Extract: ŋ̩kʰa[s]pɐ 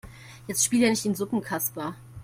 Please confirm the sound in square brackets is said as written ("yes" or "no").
yes